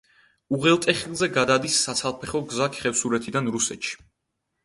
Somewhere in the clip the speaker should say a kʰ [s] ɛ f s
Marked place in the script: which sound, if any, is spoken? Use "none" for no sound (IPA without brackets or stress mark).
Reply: χ